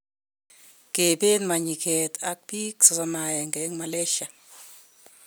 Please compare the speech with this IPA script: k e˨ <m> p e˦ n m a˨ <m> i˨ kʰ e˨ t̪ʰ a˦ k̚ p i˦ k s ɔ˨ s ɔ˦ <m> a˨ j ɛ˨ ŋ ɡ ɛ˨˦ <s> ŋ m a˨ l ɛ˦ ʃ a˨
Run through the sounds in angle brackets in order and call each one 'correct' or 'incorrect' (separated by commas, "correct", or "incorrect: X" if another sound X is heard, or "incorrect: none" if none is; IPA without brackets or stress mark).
incorrect: none, incorrect: ɲ, correct, incorrect: none